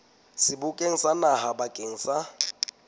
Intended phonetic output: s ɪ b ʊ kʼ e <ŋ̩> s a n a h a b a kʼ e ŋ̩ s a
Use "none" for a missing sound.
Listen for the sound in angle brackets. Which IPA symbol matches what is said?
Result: ŋ̩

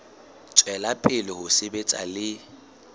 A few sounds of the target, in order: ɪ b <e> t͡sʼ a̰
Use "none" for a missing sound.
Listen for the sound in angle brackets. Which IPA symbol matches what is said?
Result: e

